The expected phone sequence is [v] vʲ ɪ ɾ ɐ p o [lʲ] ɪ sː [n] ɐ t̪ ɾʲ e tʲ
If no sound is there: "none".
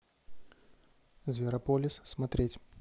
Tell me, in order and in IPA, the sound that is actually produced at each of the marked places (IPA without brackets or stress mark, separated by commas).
z, lʲ, m